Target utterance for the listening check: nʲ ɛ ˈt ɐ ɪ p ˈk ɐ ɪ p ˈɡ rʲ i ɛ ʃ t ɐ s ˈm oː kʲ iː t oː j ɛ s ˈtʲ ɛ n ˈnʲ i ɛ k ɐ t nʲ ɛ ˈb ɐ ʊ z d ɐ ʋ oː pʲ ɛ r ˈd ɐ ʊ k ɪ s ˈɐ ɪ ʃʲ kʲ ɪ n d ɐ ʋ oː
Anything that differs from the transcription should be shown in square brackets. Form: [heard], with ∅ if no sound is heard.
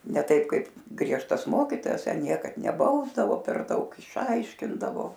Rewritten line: nʲ ɛ ˈt ɐ ɪ p ˈk ɐ ɪ p ˈɡ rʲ i ɛ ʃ t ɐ s ˈm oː kʲ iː t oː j ɛ s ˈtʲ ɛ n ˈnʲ i ɛ k ɐ t nʲ ɛ ˈb ɐ ʊ z d ɐ ʋ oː pʲ ɛ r ˈd ɐ ʊ k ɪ [ʃ] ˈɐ ɪ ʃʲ kʲ ɪ n d ɐ ʋ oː